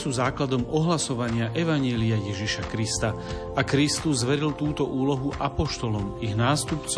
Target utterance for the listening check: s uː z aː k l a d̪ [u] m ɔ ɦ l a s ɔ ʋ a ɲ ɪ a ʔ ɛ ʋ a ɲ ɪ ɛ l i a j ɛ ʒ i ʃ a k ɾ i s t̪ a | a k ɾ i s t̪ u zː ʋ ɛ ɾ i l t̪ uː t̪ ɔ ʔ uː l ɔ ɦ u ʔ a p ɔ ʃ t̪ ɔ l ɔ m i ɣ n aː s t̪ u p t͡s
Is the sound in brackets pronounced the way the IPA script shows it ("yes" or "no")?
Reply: no